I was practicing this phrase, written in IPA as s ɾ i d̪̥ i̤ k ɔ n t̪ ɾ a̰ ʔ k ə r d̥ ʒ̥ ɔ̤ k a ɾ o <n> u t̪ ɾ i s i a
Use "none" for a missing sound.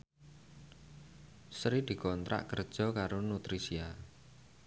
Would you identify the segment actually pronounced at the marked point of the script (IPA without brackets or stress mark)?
n